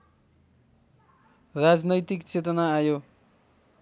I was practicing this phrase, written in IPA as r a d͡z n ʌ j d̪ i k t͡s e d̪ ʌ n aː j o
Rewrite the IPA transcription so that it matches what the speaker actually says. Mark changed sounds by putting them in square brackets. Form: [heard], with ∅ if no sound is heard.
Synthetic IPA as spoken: r a d͡z n ʌ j [t̪] i k t͡s e [t̪] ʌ n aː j o